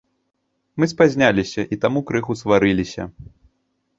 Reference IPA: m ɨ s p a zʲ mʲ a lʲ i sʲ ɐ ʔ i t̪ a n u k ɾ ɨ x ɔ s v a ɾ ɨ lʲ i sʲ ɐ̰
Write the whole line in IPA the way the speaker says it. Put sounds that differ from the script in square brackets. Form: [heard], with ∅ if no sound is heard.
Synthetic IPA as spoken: m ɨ s p a zʲ [nʲ] a lʲ i sʲ ɐ ʔ i t̪ a [m] u k ɾ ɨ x [u] s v a ɾ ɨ lʲ i sʲ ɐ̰